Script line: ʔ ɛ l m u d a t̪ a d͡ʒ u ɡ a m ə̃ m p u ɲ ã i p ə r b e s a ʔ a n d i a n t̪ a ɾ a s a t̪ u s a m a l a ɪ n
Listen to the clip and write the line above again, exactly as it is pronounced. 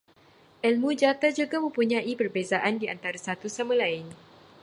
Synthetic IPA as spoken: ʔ ɛ l m u d͡ʒ a t̪ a d͡ʒ u ɡ a m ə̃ m p u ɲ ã i p ə r b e z a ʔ a n d i a n t̪ a ɾ a s a t̪ u s a m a l a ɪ n